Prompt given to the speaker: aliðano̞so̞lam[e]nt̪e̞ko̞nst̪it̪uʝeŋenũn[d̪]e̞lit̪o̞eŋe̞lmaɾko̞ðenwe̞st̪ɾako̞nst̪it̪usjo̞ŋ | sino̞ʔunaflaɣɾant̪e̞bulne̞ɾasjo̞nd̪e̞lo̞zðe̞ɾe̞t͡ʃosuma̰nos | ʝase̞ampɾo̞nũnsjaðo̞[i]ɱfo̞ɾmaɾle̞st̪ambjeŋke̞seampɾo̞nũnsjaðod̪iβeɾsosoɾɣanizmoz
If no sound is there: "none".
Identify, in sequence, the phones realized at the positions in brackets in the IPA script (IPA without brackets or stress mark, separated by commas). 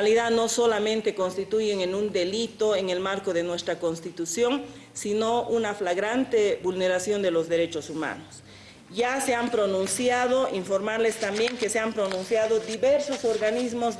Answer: ẽ, d̪, i